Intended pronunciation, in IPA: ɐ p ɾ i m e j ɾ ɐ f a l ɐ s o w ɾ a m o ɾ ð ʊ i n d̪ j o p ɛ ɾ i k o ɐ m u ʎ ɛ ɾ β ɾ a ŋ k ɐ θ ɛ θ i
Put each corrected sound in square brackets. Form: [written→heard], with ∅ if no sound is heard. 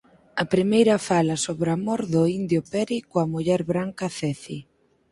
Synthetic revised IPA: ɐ p ɾ i m e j ɾ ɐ f a l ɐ s o [w→β] ɾ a m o ɾ ð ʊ i n d̪ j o p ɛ ɾ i k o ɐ m u ʎ ɛ ɾ β ɾ a ŋ k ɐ θ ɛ θ i